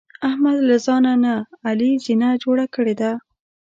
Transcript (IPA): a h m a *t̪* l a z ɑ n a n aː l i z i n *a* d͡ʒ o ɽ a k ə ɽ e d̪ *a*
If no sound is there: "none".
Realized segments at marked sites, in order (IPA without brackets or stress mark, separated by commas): d̪, a, a